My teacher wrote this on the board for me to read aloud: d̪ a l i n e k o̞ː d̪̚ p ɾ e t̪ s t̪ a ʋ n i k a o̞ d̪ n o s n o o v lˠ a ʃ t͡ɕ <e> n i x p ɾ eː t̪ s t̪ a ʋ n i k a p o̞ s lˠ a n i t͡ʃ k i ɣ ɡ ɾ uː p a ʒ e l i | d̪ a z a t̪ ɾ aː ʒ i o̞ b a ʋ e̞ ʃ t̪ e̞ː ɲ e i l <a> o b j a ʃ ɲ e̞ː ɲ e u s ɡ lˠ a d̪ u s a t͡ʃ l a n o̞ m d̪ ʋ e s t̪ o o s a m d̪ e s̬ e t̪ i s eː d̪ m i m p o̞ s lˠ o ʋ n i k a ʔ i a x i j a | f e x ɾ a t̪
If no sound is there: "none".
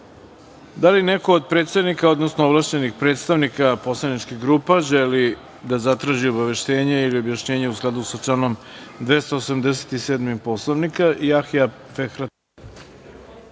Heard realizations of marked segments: e, i

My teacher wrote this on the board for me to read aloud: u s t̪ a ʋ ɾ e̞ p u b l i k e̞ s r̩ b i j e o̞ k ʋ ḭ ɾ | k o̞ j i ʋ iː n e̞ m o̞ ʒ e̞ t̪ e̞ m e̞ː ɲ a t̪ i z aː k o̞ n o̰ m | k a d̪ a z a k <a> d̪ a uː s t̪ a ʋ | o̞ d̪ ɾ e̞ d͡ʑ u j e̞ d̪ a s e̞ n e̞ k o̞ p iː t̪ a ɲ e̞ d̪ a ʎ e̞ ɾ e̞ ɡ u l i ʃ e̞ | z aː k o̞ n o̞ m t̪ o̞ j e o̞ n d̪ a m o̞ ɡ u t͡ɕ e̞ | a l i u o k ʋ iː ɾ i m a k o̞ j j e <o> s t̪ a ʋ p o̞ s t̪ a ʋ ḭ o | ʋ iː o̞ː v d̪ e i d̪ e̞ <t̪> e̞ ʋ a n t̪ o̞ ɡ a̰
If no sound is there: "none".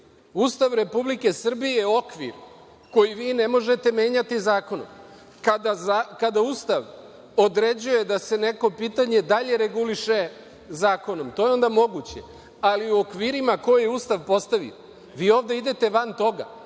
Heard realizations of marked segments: a, u, t̪

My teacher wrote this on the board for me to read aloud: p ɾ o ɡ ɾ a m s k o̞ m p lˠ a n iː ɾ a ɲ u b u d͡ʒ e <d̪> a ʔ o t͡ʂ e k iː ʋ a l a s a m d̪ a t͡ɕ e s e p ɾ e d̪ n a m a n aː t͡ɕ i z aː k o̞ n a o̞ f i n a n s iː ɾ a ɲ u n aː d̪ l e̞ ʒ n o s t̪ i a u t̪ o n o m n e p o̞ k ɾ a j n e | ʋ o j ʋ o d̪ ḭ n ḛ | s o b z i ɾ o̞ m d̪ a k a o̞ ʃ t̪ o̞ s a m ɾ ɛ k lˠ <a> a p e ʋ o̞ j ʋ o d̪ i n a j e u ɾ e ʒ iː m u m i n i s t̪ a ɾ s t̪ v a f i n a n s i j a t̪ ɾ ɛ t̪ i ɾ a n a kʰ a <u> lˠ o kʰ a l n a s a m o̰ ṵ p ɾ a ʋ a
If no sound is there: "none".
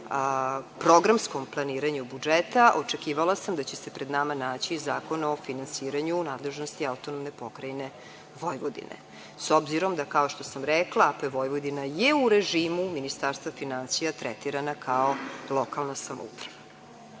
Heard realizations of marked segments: t̪, a, o

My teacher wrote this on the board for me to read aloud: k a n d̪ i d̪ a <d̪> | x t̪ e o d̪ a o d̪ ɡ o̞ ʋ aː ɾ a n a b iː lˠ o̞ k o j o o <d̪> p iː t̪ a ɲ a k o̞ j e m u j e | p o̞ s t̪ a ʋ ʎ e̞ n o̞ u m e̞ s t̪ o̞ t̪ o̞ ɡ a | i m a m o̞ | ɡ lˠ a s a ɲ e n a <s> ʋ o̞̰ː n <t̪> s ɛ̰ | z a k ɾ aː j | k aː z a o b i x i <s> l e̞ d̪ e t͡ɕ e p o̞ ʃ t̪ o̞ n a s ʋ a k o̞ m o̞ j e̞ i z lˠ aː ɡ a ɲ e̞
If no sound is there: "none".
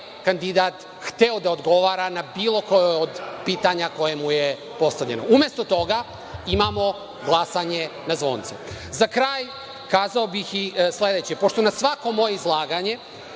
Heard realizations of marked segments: t̪, d̪, z, t̪, s

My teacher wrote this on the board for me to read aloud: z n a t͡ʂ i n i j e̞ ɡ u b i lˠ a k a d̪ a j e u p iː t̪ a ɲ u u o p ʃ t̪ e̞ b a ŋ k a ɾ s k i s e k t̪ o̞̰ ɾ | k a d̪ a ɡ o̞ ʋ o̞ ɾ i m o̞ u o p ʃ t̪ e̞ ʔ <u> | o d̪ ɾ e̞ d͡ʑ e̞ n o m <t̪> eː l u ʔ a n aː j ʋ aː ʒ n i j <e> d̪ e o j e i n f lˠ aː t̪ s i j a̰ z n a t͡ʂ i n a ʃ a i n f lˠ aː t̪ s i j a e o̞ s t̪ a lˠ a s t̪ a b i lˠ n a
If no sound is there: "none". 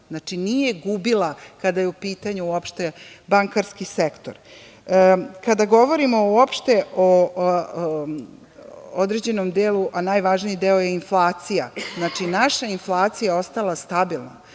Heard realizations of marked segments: o, d̪, i

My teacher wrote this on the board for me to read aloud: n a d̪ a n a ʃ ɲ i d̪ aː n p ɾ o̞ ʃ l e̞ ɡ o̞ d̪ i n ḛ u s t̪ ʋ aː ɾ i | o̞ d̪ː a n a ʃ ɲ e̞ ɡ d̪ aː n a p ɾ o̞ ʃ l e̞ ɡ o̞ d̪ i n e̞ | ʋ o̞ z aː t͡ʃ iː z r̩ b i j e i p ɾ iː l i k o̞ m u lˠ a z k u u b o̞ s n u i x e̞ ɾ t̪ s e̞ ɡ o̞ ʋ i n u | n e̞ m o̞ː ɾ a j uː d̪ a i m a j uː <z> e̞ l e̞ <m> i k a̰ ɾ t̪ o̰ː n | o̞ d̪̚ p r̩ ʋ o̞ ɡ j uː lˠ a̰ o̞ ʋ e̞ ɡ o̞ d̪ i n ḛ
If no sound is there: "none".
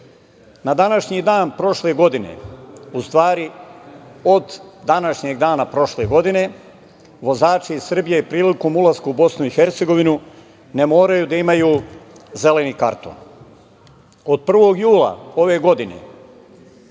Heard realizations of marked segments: z, n

